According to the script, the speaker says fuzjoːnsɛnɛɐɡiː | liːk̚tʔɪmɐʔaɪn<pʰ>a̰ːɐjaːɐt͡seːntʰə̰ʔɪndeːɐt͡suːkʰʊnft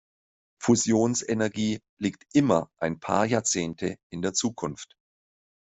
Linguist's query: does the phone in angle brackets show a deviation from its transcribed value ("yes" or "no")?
no